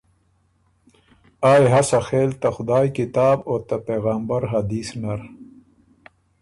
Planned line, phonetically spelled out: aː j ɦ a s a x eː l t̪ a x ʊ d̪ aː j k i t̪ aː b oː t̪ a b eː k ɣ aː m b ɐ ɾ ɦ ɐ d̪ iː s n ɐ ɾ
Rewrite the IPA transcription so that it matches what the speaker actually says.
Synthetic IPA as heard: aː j ɦ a s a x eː l t̪ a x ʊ d̪ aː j k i t̪ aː b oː t̪ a p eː ɣ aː m b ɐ ɾ ɦ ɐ d̪ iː s n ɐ ɾ

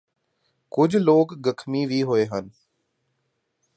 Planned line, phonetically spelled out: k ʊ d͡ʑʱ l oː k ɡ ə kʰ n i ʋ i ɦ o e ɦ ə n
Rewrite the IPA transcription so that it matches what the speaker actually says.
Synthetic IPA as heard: k ʊ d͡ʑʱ l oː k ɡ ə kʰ m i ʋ i ɦ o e ɦ ə n

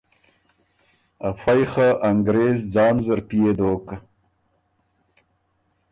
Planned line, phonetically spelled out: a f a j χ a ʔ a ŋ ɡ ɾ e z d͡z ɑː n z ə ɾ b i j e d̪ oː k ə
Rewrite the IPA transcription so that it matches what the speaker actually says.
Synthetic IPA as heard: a f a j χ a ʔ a ŋ ɡ ɾ e z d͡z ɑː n z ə ɾ p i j e d̪ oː k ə

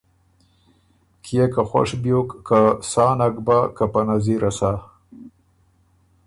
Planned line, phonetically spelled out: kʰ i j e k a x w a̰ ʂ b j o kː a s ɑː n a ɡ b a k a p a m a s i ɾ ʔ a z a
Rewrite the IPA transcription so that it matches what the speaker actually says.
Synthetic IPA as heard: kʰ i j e k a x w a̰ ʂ b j o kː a s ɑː n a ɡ b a k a p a n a z i ɾ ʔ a s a

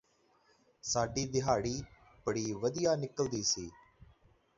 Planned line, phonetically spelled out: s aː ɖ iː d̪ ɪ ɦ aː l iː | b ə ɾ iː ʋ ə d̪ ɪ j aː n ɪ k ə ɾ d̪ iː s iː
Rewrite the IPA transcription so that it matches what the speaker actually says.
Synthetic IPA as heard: s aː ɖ iː d̪ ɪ ɦ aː ɽ iː | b ə ɽ iː ʋ ə d̪ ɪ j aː n ɪ k ə l d̪ iː s iː

